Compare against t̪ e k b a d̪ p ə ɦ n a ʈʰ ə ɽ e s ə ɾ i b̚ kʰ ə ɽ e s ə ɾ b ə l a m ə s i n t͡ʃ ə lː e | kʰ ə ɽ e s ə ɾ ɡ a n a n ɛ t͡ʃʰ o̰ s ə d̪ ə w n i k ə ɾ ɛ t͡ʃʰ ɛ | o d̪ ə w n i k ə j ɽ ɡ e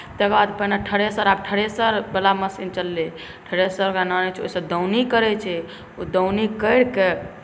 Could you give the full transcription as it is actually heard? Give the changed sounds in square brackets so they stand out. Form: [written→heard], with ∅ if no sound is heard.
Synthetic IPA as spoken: t̪ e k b a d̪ p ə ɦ n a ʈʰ ə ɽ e s ə ɾ [i→a] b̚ [kʰ→ʈʰ] ə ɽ e s ə ɾ b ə l a m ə s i n t͡ʃ ə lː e | [kʰ→ʈʰ] ə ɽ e s ə ɾ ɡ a n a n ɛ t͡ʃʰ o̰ s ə d̪ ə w n i k ə ɾ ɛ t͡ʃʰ ɛ | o d̪ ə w n i k ə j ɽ [ɡ→k] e